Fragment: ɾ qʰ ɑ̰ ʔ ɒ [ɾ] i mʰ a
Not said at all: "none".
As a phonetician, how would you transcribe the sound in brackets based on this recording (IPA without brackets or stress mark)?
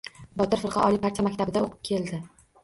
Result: l